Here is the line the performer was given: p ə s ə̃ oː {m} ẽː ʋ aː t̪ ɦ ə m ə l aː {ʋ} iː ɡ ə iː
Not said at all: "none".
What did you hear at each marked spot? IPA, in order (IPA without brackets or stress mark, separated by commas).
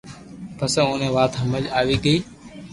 n, ʋ